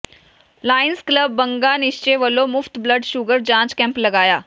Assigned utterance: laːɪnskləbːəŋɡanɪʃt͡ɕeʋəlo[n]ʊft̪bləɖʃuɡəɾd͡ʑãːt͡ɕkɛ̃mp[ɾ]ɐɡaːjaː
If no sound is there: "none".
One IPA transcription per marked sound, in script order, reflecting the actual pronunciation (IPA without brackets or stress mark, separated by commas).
m, l